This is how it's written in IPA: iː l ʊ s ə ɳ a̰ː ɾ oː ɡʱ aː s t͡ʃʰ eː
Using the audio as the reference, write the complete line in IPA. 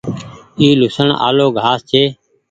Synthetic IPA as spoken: iː l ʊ s ə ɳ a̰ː l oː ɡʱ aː s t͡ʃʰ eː